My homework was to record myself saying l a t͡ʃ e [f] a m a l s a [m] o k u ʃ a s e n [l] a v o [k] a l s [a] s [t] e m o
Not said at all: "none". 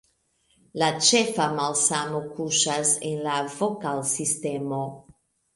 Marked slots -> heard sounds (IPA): f, m, l, k, i, t

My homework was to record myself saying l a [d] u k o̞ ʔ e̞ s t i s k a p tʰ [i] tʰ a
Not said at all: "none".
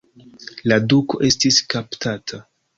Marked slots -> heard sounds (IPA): d, a

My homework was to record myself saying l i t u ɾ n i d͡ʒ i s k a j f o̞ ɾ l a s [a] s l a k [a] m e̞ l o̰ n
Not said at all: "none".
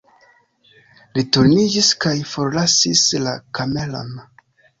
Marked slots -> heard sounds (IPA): i, a

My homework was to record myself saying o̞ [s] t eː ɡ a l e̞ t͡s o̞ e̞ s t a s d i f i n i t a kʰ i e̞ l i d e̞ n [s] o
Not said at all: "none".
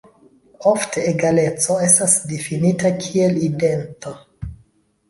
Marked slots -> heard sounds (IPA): f, t

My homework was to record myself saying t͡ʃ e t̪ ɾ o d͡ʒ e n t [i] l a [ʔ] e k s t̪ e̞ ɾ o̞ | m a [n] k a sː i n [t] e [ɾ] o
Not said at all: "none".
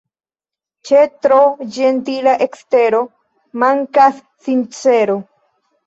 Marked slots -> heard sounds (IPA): i, ʔ, ŋ, t͡s, ɾ

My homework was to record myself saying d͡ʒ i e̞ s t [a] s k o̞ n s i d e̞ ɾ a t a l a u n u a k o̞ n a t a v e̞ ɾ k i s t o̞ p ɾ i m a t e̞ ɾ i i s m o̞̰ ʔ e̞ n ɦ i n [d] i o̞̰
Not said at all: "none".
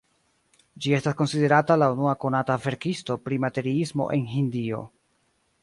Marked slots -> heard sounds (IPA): a, d

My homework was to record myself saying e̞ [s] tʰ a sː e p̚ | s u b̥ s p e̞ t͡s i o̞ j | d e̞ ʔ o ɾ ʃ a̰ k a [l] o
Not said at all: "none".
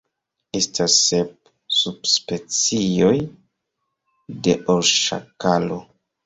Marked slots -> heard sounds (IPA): s, l

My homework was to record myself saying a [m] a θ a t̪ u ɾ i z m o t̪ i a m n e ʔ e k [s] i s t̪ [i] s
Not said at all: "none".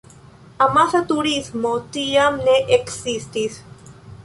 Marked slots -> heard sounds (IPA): m, s, i

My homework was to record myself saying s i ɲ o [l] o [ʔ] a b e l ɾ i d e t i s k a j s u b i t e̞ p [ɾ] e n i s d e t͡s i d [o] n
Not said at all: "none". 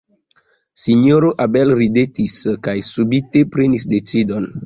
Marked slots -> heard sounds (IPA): ɾ, ʔ, ɾ, o

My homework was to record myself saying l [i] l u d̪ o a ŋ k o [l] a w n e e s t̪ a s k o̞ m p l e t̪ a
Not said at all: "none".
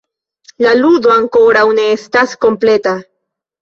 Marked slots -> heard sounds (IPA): a, ɾ

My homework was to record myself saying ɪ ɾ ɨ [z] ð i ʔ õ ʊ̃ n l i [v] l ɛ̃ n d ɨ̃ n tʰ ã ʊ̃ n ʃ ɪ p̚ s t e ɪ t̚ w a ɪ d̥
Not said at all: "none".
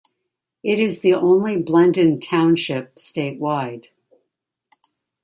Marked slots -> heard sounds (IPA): z, b

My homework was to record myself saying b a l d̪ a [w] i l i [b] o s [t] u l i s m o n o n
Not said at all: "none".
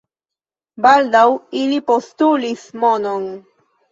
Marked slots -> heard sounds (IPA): w, p, t

